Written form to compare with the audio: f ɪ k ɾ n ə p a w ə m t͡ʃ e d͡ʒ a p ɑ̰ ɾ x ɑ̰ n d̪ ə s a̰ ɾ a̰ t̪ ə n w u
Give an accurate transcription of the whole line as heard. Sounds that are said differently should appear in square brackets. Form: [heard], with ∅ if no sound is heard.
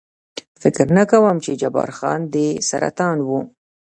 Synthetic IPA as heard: f ɪ k ɾ n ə [k] a w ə m t͡ʃ e d͡ʒ a [b] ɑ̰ ɾ x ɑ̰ n d̪ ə s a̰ ɾ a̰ t̪ [ɑ] n w u